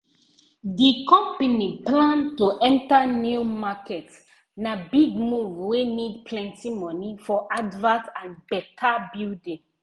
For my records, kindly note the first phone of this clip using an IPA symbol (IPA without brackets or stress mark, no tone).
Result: d